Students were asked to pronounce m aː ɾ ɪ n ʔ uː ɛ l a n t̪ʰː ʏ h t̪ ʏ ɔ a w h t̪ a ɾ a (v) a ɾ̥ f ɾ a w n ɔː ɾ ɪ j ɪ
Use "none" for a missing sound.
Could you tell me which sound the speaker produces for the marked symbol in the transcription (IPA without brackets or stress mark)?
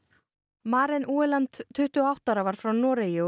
v